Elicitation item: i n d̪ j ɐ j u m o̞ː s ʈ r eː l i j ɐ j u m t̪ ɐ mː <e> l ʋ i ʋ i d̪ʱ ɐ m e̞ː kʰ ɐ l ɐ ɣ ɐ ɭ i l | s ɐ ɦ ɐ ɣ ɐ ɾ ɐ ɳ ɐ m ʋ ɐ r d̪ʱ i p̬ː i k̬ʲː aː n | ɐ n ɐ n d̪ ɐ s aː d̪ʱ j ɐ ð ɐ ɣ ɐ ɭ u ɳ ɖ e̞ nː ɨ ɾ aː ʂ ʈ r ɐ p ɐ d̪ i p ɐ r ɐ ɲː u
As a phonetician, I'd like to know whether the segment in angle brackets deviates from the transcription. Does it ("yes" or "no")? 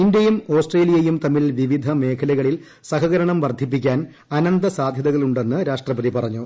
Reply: yes